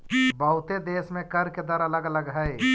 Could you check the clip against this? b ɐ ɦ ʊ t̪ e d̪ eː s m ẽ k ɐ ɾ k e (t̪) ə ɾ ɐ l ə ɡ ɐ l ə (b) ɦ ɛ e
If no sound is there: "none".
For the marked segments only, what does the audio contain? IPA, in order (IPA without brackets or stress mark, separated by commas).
d̪, ɡ